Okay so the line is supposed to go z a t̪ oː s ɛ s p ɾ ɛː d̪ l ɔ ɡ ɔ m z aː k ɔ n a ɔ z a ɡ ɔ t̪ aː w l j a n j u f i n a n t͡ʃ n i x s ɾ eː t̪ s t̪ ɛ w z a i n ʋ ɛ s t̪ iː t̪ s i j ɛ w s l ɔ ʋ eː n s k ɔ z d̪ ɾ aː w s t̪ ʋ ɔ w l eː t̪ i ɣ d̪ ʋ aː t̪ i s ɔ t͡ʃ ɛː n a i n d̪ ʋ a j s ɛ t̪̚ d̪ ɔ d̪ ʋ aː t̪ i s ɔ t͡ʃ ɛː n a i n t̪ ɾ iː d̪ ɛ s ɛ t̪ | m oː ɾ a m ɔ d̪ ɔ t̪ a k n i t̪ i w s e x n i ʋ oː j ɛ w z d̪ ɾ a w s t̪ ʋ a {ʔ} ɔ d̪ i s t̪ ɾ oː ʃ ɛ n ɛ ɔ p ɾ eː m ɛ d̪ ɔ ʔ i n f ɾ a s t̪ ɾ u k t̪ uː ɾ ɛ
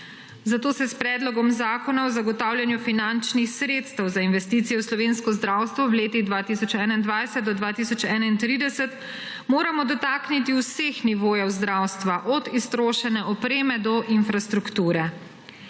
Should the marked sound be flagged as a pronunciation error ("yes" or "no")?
no